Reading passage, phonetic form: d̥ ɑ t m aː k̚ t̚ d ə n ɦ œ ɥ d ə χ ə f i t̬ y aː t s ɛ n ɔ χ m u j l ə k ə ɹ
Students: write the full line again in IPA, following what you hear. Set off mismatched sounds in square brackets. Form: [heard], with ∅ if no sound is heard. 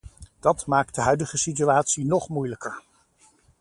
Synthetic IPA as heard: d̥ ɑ t m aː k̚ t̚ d ə [∅] ɦ œ ɥ d ə χ ə [s] i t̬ y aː t s [i] n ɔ χ m u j l ə k ə ɹ

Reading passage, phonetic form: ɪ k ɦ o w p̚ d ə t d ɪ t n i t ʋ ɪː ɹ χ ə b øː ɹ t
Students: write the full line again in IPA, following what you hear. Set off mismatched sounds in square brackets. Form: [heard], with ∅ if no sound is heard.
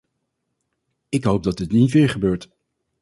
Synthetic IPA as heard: ɪ k ɦ o w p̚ d [ɑ] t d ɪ t n i t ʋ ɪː ɹ χ ə b øː ɹ t

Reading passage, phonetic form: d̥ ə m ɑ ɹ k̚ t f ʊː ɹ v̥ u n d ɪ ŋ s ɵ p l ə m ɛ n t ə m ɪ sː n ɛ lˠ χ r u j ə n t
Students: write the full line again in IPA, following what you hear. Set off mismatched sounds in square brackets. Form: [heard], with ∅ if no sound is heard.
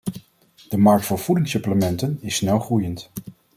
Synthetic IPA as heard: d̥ ə m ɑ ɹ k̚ t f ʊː ɹ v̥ u [∅] d ɪ ŋ s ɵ p l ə m ɛ n t ə [n] ɪ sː n ɛ lˠ χ r u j ə n t

